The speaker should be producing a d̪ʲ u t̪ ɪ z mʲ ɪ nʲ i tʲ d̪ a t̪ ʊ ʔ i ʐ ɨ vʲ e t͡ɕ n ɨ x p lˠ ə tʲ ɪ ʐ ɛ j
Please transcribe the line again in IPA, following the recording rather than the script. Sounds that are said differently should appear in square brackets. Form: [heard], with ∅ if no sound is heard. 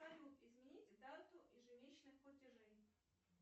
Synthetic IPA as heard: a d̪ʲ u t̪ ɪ z mʲ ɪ nʲ i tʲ d̪ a t̪ ʊ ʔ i ʐ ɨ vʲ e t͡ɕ n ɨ x p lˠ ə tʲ ɪ ʐ ɛ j

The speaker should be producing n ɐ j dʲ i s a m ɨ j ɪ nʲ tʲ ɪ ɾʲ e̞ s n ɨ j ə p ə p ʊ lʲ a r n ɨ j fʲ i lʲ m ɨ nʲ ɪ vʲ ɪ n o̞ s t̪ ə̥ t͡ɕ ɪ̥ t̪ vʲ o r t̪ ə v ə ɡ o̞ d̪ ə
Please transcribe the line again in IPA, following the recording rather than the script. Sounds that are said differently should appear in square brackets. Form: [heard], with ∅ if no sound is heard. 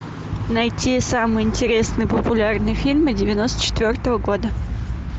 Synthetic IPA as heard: n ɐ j [tʲ] i s a m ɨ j ɪ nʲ tʲ ɪ ɾʲ e̞ s n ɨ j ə p ə p ʊ lʲ a r n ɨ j fʲ i lʲ m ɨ [dʲ] ɪ vʲ ɪ n o̞ s t̪ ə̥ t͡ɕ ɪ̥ t̪ vʲ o r t̪ ə v ə ɡ o̞ d̪ ə

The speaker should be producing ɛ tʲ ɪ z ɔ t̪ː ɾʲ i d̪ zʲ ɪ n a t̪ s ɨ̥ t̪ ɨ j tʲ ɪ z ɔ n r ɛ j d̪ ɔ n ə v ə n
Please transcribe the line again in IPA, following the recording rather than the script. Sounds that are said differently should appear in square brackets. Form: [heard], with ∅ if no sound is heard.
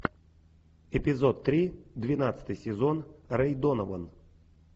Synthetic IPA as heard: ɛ [pʲ] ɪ z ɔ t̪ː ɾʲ i d̪ [vʲ] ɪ n a t̪ s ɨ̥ t̪ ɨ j [sʲ] ɪ z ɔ n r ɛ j d̪ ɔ n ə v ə n

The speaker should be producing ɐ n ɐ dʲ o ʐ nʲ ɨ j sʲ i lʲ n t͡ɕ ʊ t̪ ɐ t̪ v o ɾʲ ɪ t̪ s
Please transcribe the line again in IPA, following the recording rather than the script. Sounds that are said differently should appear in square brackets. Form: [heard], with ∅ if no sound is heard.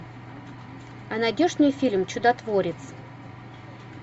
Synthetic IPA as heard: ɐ n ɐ dʲ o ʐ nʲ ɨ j [fʲ] i lʲ [m] t͡ɕ ʊ [d̪] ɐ t̪ v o ɾʲ ɪ t̪ s

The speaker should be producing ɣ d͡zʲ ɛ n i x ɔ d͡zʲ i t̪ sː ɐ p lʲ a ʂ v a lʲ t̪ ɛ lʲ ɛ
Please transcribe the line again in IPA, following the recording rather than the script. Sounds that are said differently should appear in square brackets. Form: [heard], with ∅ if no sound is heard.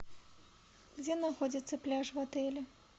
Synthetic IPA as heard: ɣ d͡zʲ ɛ n [a] x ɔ d͡zʲ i t̪ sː ɐ p lʲ a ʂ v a [∅] t̪ ɛ lʲ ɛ

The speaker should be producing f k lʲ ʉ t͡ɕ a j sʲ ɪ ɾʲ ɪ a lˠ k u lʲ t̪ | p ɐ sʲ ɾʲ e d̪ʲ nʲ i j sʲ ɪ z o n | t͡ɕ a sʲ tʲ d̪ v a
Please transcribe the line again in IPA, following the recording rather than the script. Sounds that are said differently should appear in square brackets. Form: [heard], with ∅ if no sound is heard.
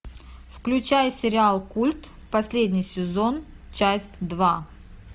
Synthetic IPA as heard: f k lʲ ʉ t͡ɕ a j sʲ ɪ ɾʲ ɪ a lˠ k u lʲ t̪ | p ɐ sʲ [lʲ] e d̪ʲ nʲ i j sʲ ɪ z o n | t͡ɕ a sʲ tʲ d̪ v a

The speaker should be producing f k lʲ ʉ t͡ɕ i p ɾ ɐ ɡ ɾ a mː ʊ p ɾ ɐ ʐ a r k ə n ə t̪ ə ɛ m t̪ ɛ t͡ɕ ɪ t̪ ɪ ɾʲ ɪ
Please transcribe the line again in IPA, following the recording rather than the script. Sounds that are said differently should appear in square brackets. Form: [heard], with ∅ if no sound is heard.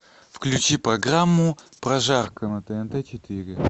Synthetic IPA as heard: f k lʲ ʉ t͡ɕ i p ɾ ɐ ɡ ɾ a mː ʊ p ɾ ɐ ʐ a r k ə n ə t̪ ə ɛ [n] t̪ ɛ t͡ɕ ɪ t̪ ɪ ɾʲ ɪ

